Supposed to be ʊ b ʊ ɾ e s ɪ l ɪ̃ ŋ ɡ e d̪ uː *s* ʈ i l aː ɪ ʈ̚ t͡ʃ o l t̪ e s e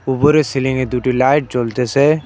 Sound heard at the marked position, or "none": none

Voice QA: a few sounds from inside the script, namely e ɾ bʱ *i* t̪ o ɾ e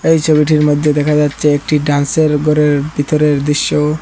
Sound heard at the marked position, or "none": i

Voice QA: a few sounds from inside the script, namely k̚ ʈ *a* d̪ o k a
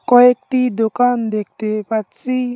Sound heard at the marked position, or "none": i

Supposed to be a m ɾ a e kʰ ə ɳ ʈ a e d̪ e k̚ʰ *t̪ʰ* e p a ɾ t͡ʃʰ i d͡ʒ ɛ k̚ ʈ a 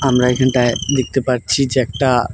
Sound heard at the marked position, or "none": t̪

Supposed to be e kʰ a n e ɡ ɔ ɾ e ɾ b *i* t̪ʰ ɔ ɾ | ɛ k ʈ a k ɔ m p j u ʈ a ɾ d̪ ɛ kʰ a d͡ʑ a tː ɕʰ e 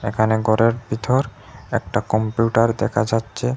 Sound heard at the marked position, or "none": i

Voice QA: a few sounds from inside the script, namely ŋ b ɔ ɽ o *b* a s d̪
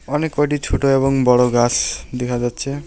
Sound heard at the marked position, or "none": ɡ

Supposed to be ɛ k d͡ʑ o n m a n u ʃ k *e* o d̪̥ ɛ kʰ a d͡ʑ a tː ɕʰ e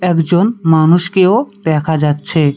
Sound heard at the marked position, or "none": e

